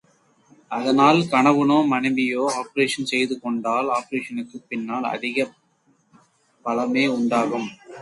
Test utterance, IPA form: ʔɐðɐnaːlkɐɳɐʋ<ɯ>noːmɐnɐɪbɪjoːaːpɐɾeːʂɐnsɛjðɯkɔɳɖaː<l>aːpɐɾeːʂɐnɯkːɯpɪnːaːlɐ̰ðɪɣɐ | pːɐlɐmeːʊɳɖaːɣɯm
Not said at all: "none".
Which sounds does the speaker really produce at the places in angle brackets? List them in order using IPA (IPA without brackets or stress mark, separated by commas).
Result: ɯ, l